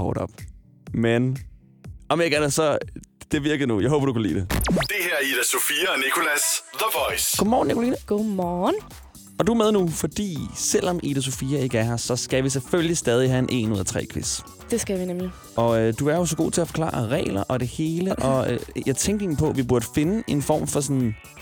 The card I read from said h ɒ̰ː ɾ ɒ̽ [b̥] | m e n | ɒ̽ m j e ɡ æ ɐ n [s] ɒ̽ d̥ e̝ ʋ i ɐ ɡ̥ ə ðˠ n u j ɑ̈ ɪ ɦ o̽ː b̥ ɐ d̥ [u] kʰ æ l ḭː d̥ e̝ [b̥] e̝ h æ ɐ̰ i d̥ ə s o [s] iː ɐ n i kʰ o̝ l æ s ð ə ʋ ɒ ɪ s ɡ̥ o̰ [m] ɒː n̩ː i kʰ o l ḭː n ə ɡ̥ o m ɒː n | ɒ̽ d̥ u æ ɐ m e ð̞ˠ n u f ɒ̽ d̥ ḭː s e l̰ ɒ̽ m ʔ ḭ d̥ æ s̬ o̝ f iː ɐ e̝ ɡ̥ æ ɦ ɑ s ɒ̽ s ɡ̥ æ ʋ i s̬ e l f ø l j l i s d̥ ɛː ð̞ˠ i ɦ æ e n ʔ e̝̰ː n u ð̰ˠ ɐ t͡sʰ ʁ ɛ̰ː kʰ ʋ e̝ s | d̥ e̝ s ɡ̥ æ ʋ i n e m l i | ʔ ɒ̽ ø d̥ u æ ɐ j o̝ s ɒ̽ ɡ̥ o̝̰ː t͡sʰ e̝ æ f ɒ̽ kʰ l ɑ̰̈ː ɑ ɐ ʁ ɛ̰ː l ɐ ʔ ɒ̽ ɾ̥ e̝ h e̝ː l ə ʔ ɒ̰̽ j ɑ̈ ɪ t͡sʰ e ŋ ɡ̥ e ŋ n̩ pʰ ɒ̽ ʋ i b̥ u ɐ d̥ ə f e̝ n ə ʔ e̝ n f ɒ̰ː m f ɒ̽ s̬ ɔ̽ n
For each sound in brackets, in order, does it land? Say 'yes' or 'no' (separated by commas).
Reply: yes, yes, yes, no, no, yes